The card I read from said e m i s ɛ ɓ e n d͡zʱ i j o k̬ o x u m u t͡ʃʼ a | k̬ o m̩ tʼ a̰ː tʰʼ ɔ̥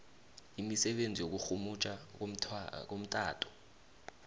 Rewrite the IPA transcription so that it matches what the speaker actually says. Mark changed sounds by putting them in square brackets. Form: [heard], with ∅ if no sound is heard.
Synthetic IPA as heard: [i] m i s ɛ ɓ e n d͡zʱ i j o k̬ [u] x u m u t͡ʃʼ a | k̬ o m̩ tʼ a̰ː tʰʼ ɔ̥